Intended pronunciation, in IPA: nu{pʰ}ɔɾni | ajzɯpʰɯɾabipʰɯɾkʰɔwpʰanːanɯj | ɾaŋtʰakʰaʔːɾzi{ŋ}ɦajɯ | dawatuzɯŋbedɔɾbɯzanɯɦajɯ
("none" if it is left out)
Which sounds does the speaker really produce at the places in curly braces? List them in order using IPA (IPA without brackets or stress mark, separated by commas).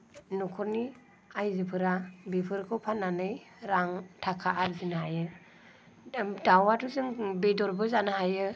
kʰ, n